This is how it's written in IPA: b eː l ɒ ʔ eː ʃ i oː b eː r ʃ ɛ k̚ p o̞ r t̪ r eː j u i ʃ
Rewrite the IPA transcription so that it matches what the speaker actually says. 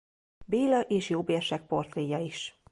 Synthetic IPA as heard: b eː l ɒ ʔ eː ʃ j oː b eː r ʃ ɛ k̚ p o̞ r t̪ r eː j ɒ i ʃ